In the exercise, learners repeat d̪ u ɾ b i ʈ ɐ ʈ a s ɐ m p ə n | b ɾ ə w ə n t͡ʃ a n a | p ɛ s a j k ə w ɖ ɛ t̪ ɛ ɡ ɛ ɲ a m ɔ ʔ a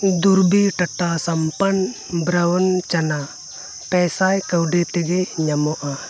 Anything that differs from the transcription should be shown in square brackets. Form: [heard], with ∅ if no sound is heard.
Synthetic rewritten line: d̪ u ɾ b i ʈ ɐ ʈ a s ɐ m p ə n | b ɾ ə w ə n t͡ʃ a n a | p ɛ s a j k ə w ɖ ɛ t̪ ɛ ɡ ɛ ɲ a m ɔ ʔ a